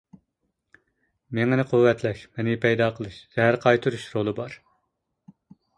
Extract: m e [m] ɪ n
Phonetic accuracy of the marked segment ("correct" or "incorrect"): incorrect